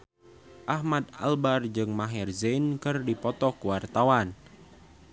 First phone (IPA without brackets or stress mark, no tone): ʔ